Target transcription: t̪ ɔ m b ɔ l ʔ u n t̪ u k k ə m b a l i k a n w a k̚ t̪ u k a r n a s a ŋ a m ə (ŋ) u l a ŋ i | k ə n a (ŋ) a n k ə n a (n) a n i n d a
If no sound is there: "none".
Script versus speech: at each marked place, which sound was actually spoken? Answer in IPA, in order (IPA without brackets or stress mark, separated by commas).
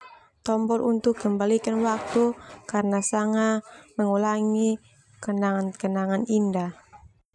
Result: ŋ, ŋ, ŋ